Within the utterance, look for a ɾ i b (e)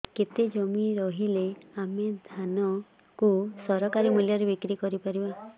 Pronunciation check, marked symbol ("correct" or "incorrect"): incorrect